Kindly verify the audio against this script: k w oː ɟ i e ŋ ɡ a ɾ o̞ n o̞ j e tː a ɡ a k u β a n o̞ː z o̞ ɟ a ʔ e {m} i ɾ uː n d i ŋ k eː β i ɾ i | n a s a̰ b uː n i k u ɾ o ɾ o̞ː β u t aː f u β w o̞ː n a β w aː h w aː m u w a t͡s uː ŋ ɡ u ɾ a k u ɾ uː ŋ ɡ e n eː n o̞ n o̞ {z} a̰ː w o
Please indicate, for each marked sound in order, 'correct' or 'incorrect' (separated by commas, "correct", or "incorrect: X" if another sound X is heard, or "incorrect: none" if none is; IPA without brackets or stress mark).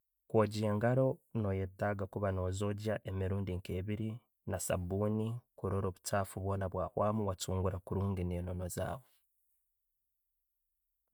correct, correct